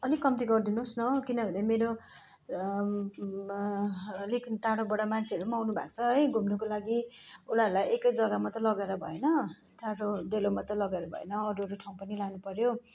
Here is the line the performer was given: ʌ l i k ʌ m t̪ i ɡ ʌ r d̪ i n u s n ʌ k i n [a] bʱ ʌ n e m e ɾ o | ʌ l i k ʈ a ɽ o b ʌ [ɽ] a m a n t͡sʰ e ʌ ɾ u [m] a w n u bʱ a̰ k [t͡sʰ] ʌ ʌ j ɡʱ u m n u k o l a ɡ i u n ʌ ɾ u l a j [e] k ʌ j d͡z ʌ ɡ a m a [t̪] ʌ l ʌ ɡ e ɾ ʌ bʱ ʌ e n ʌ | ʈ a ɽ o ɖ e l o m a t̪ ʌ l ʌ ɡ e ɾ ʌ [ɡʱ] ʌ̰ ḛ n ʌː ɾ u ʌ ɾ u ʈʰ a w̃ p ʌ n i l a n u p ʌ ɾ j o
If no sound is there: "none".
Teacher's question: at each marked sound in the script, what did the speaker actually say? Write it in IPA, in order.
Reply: ʌ, ɽ, m, t͡sʰ, e, t̪, bʱ

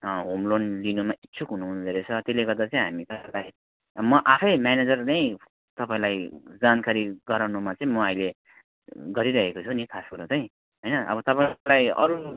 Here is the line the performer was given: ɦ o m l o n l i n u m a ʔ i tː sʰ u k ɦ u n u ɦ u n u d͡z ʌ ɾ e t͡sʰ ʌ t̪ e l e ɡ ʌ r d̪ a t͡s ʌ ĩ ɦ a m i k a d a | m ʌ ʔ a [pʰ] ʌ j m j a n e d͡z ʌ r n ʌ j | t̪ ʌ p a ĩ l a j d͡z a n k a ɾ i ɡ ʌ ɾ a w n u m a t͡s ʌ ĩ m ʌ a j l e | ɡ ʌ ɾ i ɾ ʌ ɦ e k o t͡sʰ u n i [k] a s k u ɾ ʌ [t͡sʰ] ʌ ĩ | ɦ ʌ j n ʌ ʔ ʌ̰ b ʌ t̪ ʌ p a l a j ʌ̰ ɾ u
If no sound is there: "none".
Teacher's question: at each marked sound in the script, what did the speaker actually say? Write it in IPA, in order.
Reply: pʰ, kʰ, t͡s

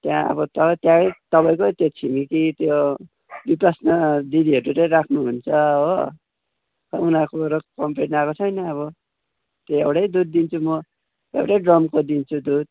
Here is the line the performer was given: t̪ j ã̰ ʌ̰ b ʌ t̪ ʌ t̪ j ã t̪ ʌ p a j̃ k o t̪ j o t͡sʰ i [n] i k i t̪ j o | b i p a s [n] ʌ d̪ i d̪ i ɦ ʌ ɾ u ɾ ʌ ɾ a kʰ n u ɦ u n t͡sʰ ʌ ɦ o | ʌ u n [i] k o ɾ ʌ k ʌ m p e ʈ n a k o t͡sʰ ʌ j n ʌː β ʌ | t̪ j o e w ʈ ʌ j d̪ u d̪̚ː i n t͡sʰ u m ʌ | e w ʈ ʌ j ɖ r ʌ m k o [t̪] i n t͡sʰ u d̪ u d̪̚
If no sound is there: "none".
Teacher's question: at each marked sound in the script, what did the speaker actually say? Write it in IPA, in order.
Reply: m, n, a, d̪

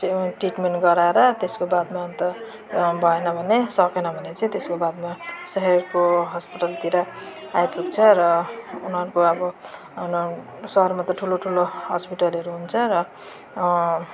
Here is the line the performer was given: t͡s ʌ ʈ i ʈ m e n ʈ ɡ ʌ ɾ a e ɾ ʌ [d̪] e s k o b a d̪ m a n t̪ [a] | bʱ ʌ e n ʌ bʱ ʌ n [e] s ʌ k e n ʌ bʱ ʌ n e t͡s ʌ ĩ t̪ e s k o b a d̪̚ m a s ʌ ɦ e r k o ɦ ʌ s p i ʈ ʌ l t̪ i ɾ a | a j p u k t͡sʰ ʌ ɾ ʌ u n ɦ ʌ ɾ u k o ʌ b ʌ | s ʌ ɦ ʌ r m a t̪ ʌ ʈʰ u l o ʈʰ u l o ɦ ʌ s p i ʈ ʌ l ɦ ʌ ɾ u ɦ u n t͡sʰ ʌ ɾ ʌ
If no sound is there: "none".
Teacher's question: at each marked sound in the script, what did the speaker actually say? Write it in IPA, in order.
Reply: t̪, ʌ, e

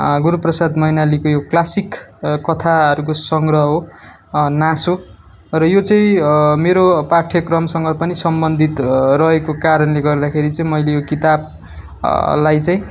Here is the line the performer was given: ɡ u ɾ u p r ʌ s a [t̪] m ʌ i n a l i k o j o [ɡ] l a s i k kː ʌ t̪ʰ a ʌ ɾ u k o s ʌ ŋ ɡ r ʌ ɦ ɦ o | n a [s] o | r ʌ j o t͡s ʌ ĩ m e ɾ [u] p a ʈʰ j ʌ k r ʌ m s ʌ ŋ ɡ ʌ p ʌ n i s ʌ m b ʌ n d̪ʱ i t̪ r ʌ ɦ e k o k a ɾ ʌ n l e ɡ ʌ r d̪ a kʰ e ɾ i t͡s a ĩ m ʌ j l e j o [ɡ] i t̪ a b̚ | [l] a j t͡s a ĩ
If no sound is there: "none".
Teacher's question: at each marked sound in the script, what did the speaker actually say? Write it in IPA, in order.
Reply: d̪, k, s, o, k, l

